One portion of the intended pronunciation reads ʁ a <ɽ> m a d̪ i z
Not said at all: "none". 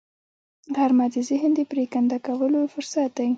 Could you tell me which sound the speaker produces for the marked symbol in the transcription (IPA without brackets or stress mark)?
ɾ